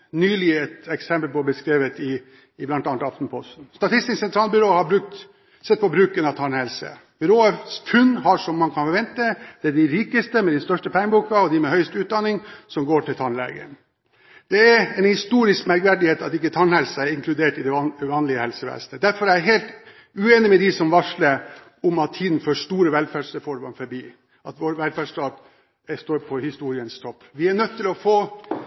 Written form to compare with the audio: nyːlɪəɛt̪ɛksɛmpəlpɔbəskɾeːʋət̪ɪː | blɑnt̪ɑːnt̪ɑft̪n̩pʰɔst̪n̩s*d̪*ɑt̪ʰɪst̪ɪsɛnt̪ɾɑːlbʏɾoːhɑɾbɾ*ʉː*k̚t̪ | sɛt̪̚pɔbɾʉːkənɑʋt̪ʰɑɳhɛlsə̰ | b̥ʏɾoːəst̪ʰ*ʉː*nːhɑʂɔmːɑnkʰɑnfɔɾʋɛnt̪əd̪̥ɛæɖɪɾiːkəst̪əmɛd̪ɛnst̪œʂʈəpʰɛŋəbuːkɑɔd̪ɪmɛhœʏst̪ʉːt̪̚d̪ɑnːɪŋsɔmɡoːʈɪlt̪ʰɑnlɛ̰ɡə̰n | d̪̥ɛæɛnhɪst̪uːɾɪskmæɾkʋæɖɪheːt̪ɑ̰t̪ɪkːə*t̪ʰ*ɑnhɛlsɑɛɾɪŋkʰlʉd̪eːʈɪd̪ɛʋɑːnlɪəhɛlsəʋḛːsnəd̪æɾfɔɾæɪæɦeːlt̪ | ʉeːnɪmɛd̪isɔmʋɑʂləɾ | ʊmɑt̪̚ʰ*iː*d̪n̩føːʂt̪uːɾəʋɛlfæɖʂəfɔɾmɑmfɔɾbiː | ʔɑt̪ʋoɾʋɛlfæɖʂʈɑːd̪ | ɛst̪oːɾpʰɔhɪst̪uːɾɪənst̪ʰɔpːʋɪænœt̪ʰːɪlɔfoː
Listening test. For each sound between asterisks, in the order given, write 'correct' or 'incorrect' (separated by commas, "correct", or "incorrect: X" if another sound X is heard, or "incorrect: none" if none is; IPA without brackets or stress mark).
incorrect: t̪, incorrect: ʉ, incorrect: ʉ, correct, correct